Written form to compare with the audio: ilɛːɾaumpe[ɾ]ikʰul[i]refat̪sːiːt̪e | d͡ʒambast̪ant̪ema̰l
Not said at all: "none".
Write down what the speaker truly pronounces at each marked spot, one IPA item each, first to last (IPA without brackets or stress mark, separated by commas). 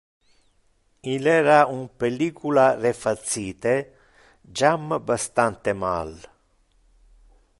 l, a